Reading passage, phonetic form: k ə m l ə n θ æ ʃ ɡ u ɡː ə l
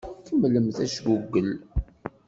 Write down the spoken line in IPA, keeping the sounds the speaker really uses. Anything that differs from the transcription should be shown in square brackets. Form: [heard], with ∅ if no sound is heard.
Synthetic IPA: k ə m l ə [m] θ æ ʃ ɡ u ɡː ə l